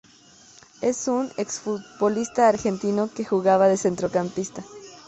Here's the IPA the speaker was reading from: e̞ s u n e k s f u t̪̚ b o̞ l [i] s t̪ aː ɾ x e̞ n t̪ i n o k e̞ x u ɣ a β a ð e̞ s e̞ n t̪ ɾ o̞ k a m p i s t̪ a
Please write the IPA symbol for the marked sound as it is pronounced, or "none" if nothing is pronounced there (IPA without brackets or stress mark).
i